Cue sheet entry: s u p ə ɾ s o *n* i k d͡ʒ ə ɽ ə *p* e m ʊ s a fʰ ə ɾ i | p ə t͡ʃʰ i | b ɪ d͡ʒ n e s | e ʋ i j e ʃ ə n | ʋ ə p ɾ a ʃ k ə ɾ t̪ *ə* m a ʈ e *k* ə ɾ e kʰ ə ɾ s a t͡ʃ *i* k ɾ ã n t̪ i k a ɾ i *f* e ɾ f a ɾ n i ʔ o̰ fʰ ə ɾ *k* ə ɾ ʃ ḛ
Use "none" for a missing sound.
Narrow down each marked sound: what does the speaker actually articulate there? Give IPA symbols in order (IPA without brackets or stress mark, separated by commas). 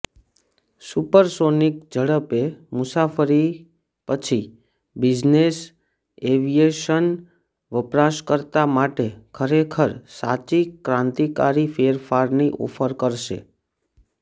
n, p, a, kʰ, i, f, k